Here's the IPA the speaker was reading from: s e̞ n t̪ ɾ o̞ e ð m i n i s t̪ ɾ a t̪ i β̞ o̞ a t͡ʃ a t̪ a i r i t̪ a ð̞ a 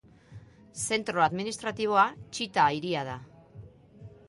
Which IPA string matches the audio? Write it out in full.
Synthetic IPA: s e̞ n t̪ ɾ o̞ a ð m i n i s t̪ ɾ a t̪ i β̞ o̞ a t͡ʃ i t̪ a i ɾ i a ð̞ a